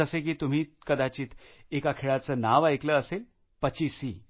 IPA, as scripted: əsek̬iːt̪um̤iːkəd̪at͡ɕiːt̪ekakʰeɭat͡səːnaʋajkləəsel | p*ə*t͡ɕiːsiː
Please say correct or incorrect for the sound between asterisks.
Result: correct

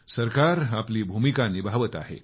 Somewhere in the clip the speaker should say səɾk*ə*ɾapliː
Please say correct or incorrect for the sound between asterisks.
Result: incorrect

